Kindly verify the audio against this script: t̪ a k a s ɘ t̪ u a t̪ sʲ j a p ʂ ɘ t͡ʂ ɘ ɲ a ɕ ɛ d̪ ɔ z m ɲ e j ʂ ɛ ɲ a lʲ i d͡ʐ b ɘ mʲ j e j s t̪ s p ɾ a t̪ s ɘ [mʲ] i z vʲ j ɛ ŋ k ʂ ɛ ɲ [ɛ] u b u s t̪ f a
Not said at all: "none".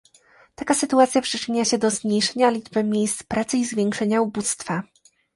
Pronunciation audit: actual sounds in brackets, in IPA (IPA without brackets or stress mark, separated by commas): none, a